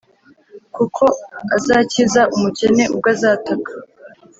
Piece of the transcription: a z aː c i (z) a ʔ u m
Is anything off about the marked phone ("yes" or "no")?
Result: no